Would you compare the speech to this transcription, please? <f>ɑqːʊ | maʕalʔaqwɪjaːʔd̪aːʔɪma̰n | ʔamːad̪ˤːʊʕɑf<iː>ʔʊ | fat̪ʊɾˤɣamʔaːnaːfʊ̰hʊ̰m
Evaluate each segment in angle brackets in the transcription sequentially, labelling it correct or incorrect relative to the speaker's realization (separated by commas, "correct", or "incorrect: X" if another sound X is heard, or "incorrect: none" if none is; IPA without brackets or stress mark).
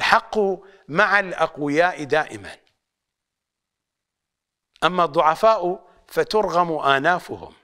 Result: incorrect: ħ, incorrect: aː